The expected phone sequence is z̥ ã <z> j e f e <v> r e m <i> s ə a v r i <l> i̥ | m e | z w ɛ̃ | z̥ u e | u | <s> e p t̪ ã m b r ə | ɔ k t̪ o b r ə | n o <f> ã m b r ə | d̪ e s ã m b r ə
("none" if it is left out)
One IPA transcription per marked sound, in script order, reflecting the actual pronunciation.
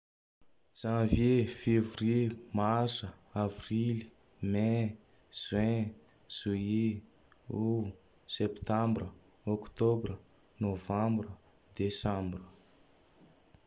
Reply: v, v, a, l, s, v

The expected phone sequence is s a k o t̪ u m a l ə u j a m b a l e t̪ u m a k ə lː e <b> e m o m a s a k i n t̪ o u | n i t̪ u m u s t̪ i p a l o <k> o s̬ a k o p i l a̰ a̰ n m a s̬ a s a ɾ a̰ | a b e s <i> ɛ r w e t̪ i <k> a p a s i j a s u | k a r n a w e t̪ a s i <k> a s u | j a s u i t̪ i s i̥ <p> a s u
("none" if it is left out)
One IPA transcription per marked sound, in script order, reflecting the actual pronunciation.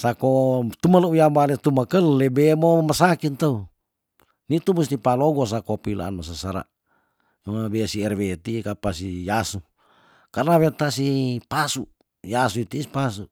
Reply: b, ɡ, i, k, p, p

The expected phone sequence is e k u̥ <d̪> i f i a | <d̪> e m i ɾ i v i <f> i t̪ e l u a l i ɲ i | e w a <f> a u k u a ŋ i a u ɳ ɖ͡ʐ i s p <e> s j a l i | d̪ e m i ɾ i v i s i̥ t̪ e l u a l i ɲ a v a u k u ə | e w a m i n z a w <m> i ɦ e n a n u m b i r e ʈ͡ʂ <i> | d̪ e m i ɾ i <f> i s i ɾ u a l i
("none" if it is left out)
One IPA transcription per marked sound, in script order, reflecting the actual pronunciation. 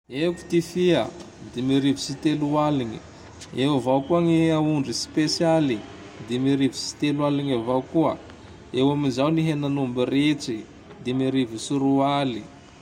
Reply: t̪, d̪, s, v, e, n, i, v

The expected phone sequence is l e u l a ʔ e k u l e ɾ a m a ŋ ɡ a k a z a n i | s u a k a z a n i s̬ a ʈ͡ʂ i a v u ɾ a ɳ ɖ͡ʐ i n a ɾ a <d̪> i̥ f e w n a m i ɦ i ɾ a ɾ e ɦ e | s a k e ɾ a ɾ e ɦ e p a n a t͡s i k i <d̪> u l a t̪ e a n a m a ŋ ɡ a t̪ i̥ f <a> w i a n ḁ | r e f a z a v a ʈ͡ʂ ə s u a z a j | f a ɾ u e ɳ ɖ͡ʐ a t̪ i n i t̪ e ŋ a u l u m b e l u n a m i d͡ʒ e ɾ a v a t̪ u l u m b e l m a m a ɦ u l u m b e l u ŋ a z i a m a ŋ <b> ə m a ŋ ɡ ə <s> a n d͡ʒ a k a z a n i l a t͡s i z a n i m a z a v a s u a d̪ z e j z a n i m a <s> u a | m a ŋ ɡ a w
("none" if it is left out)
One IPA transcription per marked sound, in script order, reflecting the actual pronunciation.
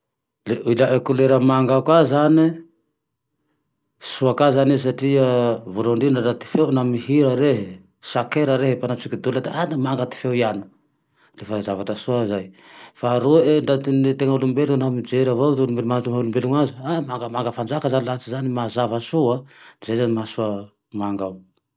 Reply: t̪, d̪, e, ɡ, f, s

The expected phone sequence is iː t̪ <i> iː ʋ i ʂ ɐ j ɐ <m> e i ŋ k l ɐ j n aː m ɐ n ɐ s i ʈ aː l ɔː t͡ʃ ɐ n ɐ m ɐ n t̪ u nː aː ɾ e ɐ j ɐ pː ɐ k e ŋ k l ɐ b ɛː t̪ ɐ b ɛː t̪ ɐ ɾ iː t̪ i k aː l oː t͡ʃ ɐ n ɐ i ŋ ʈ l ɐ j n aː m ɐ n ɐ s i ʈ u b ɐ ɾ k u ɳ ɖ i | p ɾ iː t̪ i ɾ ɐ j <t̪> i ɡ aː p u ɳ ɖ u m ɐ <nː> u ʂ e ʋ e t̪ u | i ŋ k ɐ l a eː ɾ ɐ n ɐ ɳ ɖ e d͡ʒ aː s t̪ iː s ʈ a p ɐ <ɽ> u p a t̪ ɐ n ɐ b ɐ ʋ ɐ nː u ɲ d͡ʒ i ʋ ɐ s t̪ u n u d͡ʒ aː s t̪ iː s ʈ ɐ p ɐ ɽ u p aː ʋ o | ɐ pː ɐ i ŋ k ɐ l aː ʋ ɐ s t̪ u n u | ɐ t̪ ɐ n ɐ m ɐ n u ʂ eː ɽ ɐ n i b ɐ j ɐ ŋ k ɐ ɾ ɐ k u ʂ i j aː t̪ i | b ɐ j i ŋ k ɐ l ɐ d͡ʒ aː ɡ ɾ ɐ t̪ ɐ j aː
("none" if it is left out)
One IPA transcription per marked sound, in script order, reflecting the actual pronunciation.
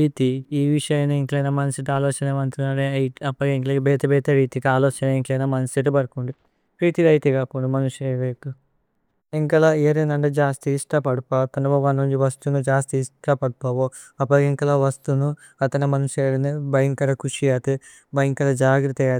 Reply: i, n, t̪, n, ɽ

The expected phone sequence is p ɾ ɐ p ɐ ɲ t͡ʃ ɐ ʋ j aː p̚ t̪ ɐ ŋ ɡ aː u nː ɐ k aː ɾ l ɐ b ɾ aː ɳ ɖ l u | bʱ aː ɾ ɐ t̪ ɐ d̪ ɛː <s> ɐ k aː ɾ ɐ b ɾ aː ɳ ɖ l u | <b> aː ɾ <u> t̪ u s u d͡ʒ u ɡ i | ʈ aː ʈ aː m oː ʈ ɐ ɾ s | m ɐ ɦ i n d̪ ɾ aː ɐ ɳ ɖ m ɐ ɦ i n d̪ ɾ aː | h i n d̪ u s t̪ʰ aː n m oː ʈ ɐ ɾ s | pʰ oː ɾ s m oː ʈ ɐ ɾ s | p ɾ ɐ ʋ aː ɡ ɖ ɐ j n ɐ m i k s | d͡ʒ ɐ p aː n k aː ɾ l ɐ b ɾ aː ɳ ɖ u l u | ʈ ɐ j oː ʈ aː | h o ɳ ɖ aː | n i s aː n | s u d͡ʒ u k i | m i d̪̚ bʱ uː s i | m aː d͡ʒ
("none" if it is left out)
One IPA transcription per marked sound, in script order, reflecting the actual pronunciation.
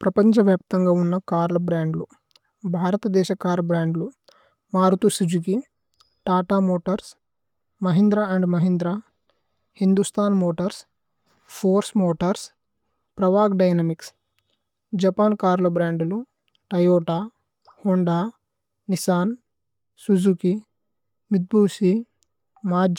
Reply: ʃ, m, u

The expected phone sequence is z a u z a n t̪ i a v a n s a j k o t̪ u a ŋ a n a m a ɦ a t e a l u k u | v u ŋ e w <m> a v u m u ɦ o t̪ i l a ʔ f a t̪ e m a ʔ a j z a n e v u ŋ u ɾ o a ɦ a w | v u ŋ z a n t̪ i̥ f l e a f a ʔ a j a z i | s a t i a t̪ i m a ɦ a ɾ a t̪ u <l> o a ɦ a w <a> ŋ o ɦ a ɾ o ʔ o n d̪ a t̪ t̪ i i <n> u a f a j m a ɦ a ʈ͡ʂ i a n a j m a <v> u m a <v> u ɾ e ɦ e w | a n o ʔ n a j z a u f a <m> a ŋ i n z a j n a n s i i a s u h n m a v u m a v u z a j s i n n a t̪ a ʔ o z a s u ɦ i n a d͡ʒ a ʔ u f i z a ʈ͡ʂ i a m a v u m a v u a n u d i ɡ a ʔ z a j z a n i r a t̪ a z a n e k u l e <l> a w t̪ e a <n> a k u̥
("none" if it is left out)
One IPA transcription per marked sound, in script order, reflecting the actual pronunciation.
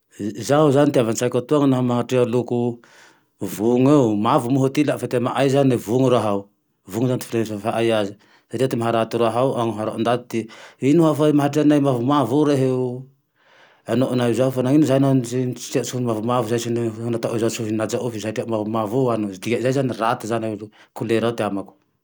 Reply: m, ɾ, a, n, v, v, n, ɾ, m

